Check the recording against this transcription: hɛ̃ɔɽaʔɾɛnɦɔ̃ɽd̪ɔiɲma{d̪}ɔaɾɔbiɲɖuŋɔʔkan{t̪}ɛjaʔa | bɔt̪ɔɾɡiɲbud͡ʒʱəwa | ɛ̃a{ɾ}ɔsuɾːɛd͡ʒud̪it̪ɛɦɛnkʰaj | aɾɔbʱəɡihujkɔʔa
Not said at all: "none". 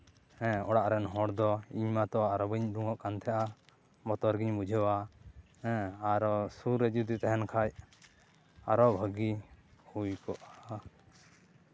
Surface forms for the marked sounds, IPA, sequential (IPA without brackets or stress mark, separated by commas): t̪, t̪ʰ, ɾ